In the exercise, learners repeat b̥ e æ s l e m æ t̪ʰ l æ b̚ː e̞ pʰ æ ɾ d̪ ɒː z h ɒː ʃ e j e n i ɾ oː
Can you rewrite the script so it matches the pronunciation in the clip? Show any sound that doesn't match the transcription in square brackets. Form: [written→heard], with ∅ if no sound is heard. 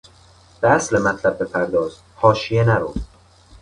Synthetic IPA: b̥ e æ s l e m æ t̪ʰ l æ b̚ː e̞ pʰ æ ɾ d̪ ɒː z h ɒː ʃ [e→i] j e n [i→æ] ɾ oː